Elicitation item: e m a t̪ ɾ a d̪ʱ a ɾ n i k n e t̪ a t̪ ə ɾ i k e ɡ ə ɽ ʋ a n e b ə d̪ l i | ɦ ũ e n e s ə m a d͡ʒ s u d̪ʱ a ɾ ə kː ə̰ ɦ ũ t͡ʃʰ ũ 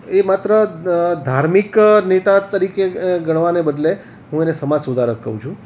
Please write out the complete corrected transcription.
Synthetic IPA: e m a t̪ ɾ ə d̪ʱ a ɾ m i k n e t̪ a t̪ ə ɾ i k e ɡ ə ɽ ʋ a n e b ə d̪ l e | ɦ ũ e n e s ə m a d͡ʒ s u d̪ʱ a ɾ ə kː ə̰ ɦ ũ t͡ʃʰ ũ